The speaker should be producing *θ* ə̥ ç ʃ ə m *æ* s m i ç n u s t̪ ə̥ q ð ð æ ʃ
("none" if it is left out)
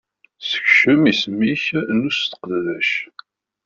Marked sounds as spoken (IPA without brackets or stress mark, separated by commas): s, i